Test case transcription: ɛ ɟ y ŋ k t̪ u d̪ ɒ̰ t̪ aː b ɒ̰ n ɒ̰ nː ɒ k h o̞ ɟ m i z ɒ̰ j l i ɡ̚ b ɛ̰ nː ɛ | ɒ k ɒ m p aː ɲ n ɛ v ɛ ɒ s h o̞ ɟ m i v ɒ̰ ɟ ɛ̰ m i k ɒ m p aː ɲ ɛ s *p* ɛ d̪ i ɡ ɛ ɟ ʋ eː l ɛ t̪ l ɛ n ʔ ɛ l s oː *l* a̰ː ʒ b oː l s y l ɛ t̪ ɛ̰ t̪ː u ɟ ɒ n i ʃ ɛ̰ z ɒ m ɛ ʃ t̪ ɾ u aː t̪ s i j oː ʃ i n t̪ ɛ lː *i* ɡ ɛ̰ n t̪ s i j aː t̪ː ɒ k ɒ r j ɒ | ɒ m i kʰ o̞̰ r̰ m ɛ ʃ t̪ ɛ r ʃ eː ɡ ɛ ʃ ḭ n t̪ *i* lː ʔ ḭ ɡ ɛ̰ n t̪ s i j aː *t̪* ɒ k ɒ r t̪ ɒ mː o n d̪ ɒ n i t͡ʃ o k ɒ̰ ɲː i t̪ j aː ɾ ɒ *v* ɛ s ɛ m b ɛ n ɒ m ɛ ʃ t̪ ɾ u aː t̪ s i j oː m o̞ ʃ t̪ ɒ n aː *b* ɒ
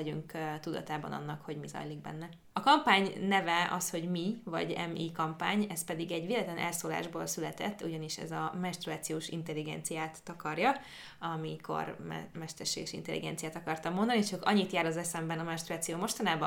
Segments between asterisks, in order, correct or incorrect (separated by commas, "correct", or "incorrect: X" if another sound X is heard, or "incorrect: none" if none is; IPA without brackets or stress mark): correct, correct, correct, incorrect: ɛ, correct, incorrect: z, correct